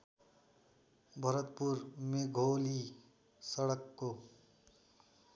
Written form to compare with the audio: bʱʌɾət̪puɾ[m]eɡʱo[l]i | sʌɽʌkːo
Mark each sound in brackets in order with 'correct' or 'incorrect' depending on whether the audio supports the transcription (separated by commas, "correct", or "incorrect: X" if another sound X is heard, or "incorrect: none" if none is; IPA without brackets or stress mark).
correct, correct